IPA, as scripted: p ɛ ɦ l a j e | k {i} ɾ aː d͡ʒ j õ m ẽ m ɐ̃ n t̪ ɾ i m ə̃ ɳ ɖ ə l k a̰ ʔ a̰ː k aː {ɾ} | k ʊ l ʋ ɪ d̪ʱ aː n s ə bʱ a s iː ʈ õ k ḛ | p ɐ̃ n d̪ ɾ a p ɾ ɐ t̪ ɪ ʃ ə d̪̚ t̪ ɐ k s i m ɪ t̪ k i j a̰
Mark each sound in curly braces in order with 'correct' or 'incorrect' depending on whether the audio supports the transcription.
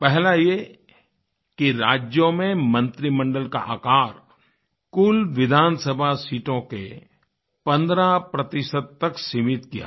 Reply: correct, correct

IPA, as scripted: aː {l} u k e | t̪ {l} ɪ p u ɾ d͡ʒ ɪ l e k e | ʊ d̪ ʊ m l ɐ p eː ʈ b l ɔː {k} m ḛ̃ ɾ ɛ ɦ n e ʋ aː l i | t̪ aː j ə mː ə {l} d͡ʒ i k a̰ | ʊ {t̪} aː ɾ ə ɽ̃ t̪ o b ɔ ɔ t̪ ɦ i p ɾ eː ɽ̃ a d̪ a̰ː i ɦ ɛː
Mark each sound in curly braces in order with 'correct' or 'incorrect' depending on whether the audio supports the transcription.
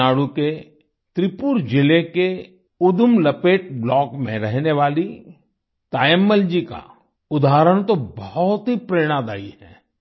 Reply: incorrect, incorrect, correct, correct, incorrect

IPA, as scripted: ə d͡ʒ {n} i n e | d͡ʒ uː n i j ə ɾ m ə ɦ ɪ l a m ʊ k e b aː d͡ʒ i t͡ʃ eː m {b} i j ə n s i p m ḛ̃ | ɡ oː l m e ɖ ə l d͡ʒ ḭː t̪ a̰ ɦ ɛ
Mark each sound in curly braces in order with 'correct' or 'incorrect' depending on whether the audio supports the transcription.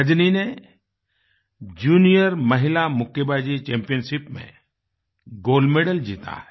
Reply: correct, incorrect

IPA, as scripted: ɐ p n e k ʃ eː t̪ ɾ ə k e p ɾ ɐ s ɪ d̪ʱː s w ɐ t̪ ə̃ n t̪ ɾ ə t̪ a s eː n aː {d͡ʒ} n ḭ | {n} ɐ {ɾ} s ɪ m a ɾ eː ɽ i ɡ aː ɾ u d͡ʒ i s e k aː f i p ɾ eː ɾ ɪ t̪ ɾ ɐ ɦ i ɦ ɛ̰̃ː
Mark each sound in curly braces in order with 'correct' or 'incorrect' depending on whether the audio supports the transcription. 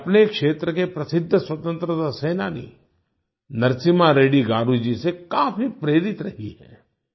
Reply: incorrect, correct, correct

